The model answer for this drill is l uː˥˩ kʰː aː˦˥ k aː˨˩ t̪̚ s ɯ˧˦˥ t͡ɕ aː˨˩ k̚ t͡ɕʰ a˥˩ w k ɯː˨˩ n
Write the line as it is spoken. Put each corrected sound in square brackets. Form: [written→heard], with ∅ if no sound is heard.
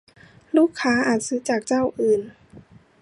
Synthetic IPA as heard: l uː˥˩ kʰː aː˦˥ [k→ʔ] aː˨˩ t̪̚ s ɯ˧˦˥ t͡ɕ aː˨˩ k̚ [t͡ɕʰ→t͡ɕ] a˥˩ w [k→ʔ] ɯː˨˩ n